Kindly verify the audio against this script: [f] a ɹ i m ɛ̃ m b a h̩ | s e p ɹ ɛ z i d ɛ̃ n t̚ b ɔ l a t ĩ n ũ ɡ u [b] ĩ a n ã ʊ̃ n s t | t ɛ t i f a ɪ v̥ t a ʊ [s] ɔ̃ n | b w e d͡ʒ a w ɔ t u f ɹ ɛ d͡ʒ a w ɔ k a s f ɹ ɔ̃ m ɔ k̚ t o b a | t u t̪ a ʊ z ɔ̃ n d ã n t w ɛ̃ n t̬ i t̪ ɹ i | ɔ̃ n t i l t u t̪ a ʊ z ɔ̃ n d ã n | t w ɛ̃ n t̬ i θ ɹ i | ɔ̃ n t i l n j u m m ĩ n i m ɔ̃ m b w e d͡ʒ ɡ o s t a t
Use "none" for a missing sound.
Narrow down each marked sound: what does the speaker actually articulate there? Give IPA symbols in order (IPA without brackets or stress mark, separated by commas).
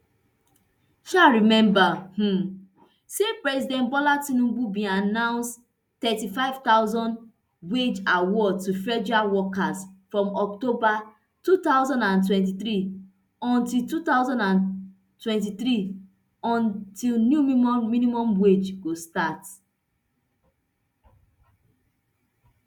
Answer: ʃ, b, z